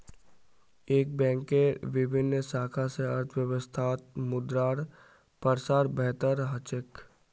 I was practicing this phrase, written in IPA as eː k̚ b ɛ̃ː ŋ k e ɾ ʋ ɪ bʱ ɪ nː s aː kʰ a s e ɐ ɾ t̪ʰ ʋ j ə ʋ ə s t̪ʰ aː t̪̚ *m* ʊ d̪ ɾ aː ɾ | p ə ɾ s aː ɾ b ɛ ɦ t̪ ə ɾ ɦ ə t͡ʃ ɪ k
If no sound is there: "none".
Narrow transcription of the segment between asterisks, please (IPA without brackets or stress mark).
m